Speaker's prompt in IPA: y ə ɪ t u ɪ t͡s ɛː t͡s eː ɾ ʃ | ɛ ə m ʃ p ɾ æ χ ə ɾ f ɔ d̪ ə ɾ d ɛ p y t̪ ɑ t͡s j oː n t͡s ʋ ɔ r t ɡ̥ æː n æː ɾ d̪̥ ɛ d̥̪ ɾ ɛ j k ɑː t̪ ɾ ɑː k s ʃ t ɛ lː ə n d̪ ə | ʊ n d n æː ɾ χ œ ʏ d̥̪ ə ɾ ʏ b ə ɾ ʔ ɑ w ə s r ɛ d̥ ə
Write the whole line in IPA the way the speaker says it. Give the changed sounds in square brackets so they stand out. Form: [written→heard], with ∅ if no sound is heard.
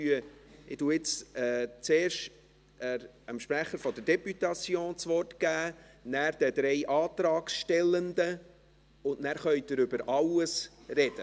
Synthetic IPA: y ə ɪ t u ɪ t͡s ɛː t͡s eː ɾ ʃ | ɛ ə m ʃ p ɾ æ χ ə ɾ f ɔ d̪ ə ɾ d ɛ p y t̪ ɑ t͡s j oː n t͡s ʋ ɔ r t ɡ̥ æː n æː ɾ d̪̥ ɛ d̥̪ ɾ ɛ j [k→ʔ] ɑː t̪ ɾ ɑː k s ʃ t ɛ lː ə n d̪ ə | ʊ n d n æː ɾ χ œ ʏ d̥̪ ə ɾ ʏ b ə ɾ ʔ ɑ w ə s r ɛ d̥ ə

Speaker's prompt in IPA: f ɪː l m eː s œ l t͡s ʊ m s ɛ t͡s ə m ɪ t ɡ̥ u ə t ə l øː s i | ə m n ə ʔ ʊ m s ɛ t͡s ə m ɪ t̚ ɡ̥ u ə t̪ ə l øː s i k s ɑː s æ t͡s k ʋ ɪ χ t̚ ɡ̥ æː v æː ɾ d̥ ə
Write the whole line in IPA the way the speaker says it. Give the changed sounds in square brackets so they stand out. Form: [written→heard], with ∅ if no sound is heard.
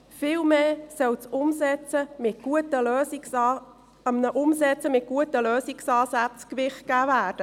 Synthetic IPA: f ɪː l m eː s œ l t͡s ʊ m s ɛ t͡s ə m ɪ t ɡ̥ u ə t ə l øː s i | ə m n ə ʔ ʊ m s ɛ t͡s ə m ɪ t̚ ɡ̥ u ə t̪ ə l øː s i k s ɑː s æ t͡s k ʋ ɪ χ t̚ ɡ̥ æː v æː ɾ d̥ ə

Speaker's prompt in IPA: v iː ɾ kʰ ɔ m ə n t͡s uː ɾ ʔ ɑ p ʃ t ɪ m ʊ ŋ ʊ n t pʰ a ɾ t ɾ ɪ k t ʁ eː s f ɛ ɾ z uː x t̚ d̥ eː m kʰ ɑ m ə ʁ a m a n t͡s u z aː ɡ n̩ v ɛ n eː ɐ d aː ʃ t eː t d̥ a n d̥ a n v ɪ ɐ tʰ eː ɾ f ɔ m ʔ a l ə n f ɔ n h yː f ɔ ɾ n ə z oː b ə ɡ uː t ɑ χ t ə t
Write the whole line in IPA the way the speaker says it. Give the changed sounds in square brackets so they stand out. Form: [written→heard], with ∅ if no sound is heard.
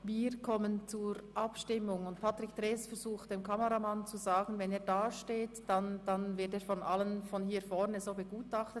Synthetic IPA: v iː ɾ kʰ ɔ m ə n t͡s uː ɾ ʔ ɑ p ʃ t ɪ m ʊ ŋ ʊ n t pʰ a [ɾ→∅] t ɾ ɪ k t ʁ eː s f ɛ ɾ z uː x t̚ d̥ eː m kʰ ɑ m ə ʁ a m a n t͡s u z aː ɡ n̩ v ɛ n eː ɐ d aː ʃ t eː t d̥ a n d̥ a n v ɪ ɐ [tʰ→t] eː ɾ f ɔ [m→n] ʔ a l ə n f ɔ n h [yː→iː] f ɔ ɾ n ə z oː b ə ɡ uː t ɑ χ t ə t

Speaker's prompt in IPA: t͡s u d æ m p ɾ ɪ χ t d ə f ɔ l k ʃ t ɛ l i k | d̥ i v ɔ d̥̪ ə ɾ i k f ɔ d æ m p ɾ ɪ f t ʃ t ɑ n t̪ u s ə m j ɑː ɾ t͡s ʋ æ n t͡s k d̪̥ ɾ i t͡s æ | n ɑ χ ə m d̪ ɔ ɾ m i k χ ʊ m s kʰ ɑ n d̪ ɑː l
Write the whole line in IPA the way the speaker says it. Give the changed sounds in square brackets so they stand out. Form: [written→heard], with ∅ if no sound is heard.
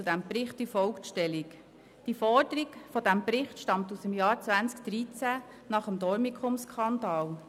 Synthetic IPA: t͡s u d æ m p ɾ ɪ χ t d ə f ɔ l k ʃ t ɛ l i k | d̥ i [v→f] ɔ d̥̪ ə ɾ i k f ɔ d æ m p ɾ ɪ [f→χ] t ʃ t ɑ [n→m] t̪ u s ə m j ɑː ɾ t͡s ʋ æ n t͡s k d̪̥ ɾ i t͡s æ | n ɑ χ ə m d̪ ɔ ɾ m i k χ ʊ m s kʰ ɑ n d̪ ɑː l

